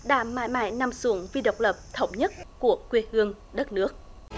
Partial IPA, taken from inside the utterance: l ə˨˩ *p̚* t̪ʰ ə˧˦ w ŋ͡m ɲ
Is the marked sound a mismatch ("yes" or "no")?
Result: no